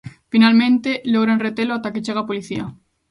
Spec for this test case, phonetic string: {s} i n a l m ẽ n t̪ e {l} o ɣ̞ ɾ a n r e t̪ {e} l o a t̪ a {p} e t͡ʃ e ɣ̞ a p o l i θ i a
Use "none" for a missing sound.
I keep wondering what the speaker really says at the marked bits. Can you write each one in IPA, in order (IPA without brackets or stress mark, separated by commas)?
f, l, e, k